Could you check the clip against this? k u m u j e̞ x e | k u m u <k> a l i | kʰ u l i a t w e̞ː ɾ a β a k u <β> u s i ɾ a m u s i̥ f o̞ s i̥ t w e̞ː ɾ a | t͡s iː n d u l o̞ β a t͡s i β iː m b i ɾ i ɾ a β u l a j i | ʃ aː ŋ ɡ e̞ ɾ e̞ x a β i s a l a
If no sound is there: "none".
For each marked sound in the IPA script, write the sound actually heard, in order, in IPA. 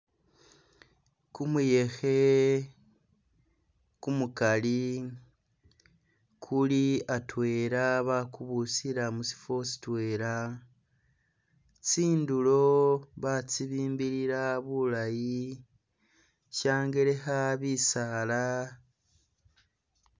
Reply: k, β

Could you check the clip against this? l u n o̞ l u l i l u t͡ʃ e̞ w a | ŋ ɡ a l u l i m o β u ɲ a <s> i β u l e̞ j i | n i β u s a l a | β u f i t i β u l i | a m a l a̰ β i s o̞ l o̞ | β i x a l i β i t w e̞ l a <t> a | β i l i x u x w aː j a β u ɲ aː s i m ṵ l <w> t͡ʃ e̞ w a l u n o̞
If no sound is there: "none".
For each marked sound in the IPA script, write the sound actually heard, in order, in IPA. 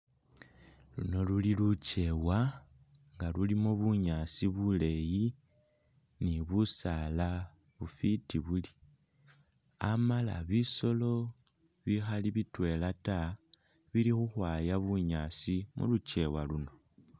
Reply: s, t, u

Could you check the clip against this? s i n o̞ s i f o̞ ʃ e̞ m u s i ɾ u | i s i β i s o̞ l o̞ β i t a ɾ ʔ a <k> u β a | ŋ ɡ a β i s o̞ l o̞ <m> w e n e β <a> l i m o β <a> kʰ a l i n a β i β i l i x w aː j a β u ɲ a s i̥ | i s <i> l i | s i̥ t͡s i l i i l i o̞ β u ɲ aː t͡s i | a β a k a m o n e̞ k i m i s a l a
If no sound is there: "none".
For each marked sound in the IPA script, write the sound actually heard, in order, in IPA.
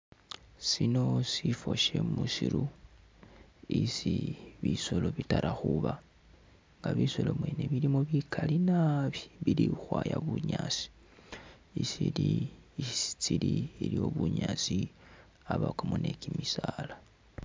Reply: x, m, i, i, i

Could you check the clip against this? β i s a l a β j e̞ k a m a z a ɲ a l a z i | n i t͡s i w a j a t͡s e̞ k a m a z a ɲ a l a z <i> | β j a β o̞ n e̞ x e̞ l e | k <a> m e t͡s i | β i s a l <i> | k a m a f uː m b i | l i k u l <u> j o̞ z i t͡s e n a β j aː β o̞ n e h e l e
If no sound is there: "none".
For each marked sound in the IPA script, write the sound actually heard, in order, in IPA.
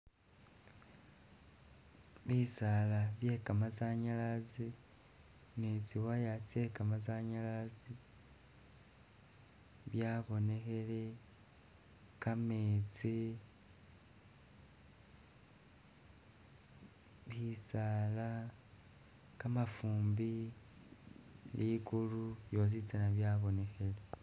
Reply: i, a, a, u

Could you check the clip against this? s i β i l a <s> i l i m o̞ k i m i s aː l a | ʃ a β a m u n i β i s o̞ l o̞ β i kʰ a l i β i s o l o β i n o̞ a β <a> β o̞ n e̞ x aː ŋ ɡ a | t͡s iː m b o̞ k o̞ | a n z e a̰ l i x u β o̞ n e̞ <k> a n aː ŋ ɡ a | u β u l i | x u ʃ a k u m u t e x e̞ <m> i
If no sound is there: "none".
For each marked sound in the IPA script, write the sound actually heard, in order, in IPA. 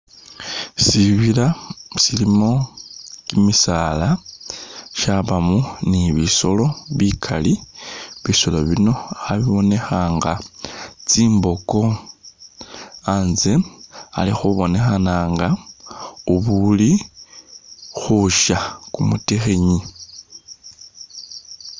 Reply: s, i, x, ɲ

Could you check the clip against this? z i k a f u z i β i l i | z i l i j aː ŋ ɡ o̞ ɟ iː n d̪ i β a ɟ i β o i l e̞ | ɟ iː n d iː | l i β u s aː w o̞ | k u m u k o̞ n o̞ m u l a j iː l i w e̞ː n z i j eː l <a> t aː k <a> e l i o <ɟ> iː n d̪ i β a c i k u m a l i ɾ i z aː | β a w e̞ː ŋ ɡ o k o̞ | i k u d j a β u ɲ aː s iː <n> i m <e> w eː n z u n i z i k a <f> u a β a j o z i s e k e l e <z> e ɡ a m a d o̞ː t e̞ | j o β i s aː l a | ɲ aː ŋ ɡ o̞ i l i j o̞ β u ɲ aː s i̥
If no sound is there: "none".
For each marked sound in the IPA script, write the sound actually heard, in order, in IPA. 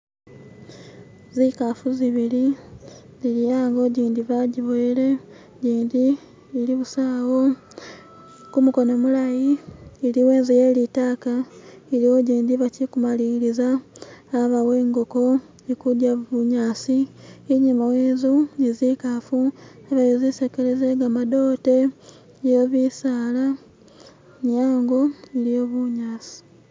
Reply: i, a, ɟ, ɲ, a, f, z

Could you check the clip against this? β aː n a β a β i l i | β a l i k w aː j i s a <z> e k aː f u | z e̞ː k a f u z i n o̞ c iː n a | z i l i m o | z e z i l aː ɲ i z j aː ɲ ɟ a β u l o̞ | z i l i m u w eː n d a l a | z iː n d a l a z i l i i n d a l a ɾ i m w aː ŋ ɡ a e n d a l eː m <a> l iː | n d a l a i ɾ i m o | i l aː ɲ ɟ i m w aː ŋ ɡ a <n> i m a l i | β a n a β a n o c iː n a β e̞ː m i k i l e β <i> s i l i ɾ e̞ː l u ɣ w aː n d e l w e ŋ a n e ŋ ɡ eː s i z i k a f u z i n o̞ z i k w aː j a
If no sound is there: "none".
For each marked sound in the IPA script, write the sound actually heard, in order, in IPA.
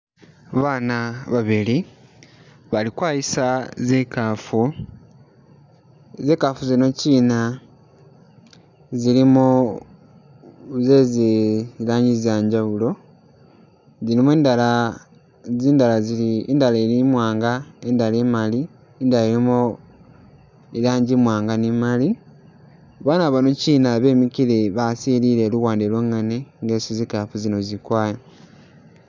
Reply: z, a, n, a

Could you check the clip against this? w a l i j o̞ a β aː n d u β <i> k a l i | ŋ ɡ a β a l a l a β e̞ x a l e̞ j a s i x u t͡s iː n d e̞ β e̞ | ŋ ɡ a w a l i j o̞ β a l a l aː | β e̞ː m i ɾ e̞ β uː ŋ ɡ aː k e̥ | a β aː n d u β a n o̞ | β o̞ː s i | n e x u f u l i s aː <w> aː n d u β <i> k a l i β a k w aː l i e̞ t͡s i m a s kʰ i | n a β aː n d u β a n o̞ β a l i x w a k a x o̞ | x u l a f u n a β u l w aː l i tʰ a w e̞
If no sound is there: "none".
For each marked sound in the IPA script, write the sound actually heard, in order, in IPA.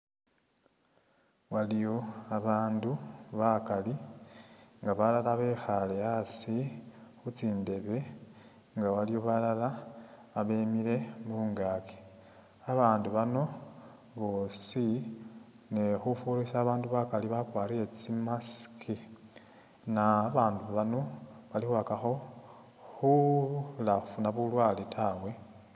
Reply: a, β, a

